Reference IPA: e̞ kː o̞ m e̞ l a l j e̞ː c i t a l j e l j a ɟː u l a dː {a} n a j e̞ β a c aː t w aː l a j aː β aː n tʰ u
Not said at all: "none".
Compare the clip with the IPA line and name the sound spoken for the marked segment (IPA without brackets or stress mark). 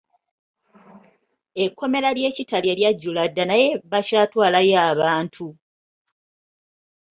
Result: a